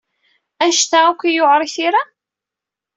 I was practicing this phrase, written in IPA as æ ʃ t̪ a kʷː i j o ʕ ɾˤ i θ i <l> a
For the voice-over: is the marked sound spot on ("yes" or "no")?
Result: no